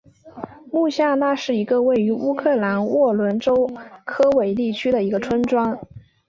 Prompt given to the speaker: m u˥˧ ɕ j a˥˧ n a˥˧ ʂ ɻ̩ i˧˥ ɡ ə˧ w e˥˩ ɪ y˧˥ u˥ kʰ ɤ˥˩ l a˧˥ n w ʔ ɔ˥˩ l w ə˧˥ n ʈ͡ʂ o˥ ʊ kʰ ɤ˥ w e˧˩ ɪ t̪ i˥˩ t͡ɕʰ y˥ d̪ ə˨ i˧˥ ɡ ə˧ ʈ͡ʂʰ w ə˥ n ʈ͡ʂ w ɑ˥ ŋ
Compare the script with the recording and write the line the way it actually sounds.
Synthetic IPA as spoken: m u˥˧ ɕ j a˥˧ n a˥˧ ʂ ɻ̩ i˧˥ ɡ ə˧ w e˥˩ ɪ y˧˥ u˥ kʰ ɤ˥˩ l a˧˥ n w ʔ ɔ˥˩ l w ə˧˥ n ʈ͡ʂ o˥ ʊ kʰ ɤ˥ w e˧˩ ɪ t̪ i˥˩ t͡ɕʰ y˥ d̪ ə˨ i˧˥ ɡ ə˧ ʈ͡ʂʰ w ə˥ n ʈ͡ʂ w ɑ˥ ŋ